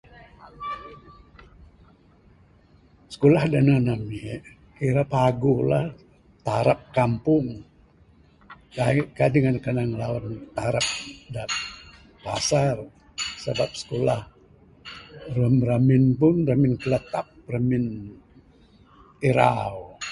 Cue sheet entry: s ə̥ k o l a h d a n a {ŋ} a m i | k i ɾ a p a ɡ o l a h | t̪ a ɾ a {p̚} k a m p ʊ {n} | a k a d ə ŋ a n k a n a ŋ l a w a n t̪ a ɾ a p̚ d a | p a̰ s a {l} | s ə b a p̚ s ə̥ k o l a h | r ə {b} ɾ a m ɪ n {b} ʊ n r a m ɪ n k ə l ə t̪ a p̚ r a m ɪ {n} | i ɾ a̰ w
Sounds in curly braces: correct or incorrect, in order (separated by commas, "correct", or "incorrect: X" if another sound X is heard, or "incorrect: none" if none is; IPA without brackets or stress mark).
incorrect: n, correct, incorrect: ŋ, incorrect: r, incorrect: m, incorrect: p, correct